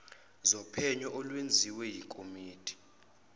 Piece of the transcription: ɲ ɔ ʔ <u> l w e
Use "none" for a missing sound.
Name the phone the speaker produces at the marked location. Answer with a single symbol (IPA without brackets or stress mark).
ɔ